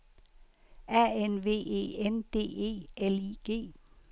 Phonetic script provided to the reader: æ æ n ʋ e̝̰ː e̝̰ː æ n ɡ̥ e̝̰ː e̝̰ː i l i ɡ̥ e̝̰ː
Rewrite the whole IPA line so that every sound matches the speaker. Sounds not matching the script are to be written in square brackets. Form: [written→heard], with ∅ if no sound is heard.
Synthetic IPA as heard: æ [æ→e] n ʋ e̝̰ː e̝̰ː [æ→e] n [ɡ̥→d̥] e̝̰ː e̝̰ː [i→e] l i ɡ̥ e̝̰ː